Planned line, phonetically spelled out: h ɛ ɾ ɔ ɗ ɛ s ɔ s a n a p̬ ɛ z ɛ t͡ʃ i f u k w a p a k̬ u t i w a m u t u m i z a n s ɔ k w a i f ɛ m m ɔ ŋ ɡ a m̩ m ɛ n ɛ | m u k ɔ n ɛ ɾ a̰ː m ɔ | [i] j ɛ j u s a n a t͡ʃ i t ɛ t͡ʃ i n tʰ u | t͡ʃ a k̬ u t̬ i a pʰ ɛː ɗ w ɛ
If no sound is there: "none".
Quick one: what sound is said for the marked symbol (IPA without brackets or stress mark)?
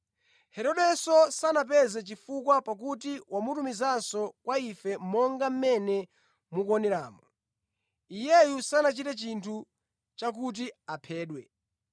i